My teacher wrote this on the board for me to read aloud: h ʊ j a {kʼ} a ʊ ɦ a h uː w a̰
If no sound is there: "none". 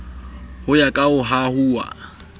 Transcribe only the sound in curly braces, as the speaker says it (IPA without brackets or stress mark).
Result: kʼ